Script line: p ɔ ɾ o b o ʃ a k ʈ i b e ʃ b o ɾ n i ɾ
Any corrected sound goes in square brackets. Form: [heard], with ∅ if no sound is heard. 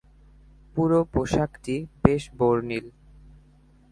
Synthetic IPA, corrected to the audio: p [u] ɾ o [p] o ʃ a k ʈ i b e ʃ b o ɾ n i [l]